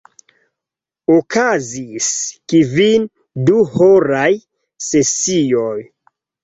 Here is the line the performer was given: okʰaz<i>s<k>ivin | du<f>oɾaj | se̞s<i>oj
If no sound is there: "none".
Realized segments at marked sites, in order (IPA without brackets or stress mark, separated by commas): i, k, h, i